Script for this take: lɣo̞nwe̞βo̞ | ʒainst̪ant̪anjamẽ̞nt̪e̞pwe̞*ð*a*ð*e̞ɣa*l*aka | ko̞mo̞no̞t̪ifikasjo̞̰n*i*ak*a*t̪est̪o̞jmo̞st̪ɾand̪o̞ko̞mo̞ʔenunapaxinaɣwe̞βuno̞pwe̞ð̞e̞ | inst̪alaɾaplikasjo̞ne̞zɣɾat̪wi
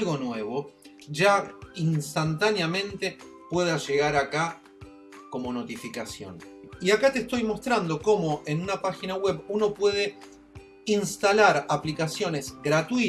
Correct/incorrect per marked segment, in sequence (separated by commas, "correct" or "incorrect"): correct, incorrect, incorrect, correct, correct